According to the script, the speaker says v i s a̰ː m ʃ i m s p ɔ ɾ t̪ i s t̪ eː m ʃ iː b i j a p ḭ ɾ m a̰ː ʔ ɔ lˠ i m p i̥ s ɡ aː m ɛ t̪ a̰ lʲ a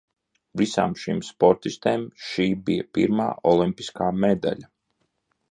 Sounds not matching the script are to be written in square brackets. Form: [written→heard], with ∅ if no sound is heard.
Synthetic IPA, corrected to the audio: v i s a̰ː m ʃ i m s p ɔ ɾ t̪ i s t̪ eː m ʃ iː b i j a p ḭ ɾ m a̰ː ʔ ɔ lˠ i m p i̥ s [ɡ→k] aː m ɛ [t̪→d̪] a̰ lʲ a